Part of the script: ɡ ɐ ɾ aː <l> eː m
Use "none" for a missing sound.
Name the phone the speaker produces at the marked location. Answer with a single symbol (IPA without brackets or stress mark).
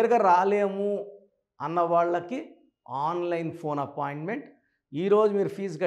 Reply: l